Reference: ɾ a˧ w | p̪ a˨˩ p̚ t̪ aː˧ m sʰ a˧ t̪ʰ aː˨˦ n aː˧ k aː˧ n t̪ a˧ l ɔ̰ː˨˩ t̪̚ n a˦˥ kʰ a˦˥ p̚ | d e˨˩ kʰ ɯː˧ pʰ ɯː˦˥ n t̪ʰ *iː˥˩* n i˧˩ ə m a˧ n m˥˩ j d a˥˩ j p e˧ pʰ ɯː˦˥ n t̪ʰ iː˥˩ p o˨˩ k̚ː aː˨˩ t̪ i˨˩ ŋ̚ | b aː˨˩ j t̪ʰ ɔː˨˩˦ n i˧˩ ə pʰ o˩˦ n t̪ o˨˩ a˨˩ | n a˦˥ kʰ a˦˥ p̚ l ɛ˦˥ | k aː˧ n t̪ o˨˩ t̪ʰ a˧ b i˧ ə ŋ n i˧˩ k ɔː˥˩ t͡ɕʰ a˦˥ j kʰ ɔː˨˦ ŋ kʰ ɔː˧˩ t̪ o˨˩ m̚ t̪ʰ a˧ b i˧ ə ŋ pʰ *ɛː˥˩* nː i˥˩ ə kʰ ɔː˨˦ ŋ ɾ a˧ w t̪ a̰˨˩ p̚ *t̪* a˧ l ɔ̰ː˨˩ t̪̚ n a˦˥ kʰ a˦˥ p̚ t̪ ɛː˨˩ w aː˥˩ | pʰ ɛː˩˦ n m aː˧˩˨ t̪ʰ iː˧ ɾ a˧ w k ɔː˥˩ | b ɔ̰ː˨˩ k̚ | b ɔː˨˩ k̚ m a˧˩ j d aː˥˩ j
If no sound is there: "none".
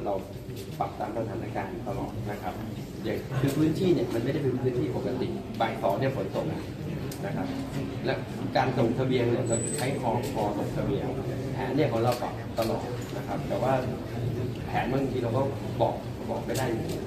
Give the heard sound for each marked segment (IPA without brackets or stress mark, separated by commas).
iː˥˩, ɛː˨˩˦, t̪